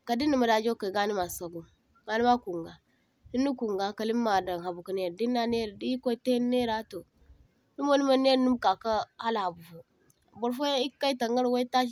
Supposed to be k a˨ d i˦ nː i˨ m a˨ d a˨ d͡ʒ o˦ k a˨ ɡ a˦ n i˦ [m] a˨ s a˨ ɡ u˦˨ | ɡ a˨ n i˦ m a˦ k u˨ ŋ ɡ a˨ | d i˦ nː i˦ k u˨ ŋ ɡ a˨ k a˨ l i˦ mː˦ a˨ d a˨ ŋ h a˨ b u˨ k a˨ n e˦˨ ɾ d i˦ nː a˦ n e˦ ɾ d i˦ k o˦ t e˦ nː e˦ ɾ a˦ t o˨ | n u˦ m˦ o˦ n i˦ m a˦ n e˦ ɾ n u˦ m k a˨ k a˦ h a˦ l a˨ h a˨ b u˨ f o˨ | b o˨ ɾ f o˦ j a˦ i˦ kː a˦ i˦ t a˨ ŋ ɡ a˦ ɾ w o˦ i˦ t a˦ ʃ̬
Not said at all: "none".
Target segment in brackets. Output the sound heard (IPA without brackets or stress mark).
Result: m